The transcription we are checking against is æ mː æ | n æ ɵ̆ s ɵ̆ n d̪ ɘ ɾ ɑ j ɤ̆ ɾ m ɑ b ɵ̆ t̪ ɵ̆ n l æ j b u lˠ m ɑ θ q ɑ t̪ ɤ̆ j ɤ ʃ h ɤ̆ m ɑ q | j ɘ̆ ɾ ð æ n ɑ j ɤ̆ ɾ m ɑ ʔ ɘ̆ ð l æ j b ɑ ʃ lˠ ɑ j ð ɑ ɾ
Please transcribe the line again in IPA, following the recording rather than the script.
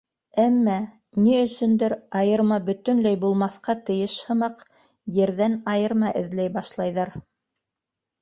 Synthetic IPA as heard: æ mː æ | n i ɵ̆ s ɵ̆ n d̪ ɘ ɾ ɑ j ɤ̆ ɾ m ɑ b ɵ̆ t̪ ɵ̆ n l æ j b u lˠ m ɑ θ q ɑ t̪ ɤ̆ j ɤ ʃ h ɤ̆ m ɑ q | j ɘ̆ ɾ ð æ n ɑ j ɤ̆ ɾ m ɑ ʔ ɘ̆ ð l æ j b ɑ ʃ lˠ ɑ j ð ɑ ɾ

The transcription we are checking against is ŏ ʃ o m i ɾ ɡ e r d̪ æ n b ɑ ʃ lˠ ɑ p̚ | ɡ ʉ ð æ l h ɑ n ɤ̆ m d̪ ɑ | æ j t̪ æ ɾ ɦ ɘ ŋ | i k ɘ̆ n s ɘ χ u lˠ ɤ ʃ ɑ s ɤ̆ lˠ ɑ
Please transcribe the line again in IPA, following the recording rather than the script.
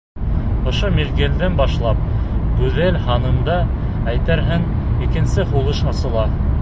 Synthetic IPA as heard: ŏ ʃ o m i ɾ ɡ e l d̪ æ n b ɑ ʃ lˠ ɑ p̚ | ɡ ʉ ð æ l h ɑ n ɤ̆ m d̪ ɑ | æ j t̪ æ ɾ ɦ ɘ ŋ | i k ɘ̆ n s ɘ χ u lˠ ɤ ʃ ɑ s ɤ̆ lˠ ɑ

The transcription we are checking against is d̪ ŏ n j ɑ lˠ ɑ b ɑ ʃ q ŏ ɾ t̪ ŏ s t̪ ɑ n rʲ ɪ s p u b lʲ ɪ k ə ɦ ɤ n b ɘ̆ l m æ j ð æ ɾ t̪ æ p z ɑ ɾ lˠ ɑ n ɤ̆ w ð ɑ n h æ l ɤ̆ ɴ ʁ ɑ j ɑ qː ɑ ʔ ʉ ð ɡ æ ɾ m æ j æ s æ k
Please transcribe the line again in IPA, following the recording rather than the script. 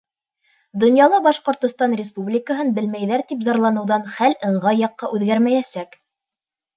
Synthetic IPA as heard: d̪ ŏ n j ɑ lˠ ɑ b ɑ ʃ q ŏ ɾ t̪ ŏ s t̪ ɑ n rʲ ɪ s p u b lʲ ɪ k ə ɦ ɤ n b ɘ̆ l m æ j ð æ ɾ t̪ i p z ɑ ɾ lˠ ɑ n ɤ̆ w ð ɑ n χ æ l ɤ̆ ɴ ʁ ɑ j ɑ qː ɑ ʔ ʉ ð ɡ æ ɾ m æ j æ s æ k

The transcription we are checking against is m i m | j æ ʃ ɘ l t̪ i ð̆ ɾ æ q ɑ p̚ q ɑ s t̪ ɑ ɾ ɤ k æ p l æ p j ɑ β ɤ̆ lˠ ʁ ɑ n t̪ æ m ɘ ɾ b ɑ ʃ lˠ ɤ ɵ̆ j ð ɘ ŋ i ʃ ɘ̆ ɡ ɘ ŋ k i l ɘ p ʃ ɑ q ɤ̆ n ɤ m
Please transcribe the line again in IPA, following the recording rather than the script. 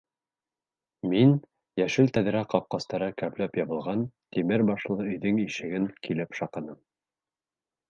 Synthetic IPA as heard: m i n | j æ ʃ ɘ l t̪ æ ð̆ ɾ æ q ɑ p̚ q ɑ s t̪ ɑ ɾ ɤ k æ p l æ p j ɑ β ɤ̆ lˠ ʁ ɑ n t̪ i m ɘ ɾ b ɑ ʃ lˠ ɤ ɵ̆ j ð ɘ ŋ i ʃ ɘ̆ ɡ ɘ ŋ k i l ɘ p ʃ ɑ q ɤ̆ n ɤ m

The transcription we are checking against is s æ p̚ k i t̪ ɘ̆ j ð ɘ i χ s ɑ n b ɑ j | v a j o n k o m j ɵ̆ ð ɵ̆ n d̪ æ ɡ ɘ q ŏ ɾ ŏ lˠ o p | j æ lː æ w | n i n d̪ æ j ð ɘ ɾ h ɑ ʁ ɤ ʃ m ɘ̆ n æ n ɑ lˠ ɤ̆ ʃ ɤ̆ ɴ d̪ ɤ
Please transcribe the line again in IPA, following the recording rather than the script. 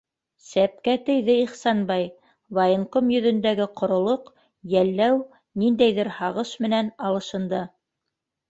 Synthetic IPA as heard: s æ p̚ k æ t̪ ɘ̆ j ð ɘ i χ s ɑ n b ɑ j | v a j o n k o m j ɵ̆ ð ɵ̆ n d̪ æ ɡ ɘ q ŏ ɾ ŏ lˠ o q | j æ lː æ w | n i n d̪ æ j ð ɘ ɾ h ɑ ʁ ɤ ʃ m ɘ̆ n æ n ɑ lˠ ɤ̆ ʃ ɤ̆ n d̪ ɤ

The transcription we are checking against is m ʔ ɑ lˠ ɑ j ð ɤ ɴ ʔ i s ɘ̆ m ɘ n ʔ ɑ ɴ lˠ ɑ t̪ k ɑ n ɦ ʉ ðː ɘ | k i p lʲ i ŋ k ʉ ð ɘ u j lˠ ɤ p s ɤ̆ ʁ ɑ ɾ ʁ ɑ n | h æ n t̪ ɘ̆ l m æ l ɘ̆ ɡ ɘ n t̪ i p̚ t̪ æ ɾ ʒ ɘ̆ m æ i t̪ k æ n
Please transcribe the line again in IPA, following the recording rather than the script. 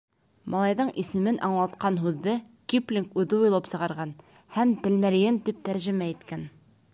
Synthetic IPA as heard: m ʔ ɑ lˠ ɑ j ð ɤ ɴ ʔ i s ɘ̆ m ɘ n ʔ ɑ ɴ lˠ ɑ t̪ q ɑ n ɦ ʉ ðː ɘ | k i p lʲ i ŋ k ʉ ð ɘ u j lˠ ɤ p s ɤ̆ ʁ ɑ ɾ ʁ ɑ n | h æ m t̪ ɘ̆ l m æ l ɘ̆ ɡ ɘ n t̪ i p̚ t̪ æ ɾ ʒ ɘ̆ m æ i t̪ k æ n

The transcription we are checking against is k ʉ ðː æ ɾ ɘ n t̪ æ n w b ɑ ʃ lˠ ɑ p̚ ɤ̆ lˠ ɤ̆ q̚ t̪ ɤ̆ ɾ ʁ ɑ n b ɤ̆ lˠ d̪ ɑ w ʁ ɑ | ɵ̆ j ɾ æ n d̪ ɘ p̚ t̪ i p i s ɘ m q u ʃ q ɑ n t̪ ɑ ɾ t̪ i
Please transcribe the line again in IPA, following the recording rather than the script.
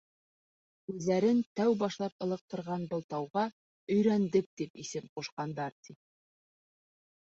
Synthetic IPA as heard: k ʉ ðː æ ɾ ɘ n t̪ æ w b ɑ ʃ lˠ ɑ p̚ ɤ̆ lˠ ɤ̆ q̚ t̪ ɤ̆ ɾ ʁ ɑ n b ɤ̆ lˠ t̪ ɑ w ʁ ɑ | ɵ̆ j ɾ æ n d̪ ɘ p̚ t̪ i p i s ɘ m q u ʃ q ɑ n d̪ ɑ ɾ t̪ i

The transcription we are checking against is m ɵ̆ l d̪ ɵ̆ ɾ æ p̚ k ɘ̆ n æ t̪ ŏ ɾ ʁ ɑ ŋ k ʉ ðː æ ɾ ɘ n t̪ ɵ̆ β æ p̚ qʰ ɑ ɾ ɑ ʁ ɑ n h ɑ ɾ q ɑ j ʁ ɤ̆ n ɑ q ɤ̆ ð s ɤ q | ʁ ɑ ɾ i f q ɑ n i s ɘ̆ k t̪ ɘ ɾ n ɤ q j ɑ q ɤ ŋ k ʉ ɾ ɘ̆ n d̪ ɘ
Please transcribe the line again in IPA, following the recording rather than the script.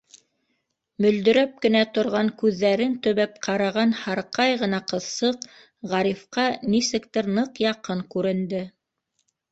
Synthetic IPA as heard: m ɵ̆ l d̪ ɵ̆ ɾ æ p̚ k ɘ̆ n æ t̪ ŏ ɾ ʁ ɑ ŋ k ʉ ðː æ ɾ ɘ n t̪ ɵ̆ β æ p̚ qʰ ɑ ɾ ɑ ʁ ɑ n h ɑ ɾ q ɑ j ʁ ɤ̆ n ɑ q ɤ̆ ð s ɤ q | ʁ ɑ ɾ i f q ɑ n i s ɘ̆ k t̪ ɘ ɾ n ɤ q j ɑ q ɤ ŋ k ʉ ɾ ɘ̆ n d̪ ɘ

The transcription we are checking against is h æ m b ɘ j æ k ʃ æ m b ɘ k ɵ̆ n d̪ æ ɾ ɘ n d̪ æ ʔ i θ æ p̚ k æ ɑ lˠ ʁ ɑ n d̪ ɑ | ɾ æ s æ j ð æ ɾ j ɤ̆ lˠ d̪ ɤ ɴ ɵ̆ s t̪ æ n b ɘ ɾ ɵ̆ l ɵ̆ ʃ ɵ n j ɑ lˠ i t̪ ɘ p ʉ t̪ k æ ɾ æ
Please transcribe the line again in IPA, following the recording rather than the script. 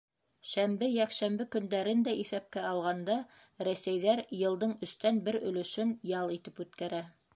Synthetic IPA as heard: ʃ æ m b ɘ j æ k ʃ æ m b ɘ k ɵ̆ n d̪ æ ɾ ɘ n d̪ æ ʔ i θ æ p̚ k æ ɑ lˠ ʁ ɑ n d̪ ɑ | ɾ æ s æ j ð æ ɾ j ɤ̆ lˠ d̪ ɤ ɴ ɵ̆ s t̪ æ n b ɘ ɾ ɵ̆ l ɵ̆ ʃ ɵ n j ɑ lˠ i t̪ ɘ p ʉ t̪ k æ ɾ æ

